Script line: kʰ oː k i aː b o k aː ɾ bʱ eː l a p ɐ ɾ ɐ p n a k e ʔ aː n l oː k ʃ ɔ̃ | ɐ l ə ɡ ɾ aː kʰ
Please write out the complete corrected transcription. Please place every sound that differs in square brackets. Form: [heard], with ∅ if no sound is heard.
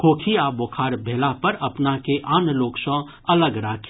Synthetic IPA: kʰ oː [kʰ] i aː b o [kʰ] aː ɾ bʱ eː l a p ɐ ɾ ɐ p n a k e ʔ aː n l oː k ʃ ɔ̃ | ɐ l ə ɡ ɾ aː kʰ